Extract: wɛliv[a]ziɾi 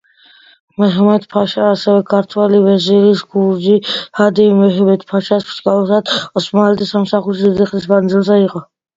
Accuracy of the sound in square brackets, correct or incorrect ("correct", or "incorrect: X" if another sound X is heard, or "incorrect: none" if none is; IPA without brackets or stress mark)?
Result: incorrect: ɛ